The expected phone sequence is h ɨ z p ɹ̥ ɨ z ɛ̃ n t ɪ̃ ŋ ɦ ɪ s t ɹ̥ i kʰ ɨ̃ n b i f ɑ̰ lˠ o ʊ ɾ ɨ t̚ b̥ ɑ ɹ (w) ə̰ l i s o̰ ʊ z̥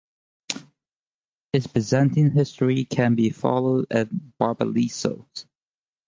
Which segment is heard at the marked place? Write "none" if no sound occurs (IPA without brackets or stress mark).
b